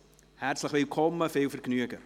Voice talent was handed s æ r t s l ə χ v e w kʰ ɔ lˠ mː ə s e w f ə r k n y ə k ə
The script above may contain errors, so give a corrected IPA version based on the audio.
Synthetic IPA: h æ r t s l ə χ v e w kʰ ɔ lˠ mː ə f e w f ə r k n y ə k ə